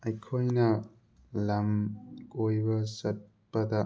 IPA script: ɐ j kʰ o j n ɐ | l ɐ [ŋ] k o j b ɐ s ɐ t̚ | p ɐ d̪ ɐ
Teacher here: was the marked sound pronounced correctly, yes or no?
no